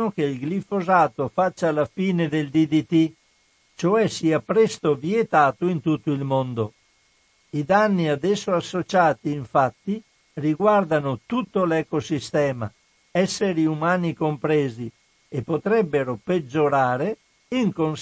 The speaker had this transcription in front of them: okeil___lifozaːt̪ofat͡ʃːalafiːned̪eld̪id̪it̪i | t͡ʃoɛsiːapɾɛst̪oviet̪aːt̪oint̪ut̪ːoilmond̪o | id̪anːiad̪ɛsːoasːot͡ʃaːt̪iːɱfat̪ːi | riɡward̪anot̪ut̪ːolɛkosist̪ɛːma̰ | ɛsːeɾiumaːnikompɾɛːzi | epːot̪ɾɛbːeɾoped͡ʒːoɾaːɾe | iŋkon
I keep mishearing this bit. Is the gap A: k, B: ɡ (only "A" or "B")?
B